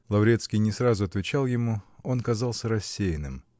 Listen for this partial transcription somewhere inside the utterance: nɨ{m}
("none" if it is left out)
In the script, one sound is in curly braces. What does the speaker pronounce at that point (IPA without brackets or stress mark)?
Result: m